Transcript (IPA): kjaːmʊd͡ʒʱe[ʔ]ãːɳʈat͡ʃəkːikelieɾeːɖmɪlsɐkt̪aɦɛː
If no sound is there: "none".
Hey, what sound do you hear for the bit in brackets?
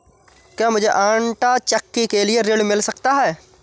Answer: ʔ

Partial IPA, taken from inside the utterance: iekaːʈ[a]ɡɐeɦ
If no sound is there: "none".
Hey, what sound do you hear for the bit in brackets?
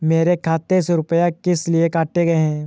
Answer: e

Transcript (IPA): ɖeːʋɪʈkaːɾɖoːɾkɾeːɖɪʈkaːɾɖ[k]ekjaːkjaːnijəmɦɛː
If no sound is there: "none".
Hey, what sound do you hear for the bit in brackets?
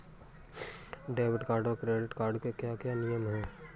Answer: k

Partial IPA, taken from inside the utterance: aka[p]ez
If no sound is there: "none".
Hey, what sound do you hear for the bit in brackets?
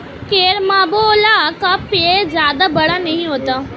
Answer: p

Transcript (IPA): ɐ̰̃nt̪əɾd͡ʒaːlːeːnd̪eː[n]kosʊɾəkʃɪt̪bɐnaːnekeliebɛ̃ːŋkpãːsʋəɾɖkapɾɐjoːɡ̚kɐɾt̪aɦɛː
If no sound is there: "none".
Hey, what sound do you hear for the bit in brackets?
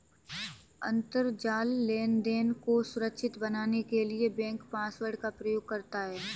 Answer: n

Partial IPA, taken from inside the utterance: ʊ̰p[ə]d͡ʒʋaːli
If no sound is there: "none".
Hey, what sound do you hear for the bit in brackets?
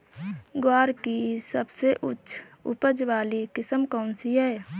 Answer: ə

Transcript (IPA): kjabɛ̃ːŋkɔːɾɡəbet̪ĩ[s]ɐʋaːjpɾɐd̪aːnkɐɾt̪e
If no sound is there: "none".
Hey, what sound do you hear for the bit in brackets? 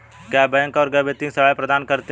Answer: s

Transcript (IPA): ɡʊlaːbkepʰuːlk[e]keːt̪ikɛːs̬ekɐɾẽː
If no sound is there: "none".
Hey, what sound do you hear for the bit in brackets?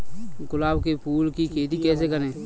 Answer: i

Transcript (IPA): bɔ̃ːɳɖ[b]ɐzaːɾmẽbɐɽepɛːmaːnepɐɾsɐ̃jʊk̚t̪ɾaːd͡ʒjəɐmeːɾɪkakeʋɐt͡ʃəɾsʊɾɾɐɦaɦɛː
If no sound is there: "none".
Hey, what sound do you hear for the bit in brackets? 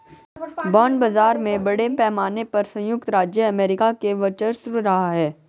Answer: b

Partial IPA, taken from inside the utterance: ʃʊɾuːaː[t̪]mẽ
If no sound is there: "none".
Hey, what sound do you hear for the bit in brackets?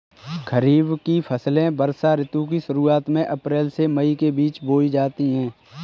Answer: t̪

